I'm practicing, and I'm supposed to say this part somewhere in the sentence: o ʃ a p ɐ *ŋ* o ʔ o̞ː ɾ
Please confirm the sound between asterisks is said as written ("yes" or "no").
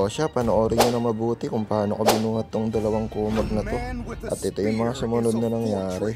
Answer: no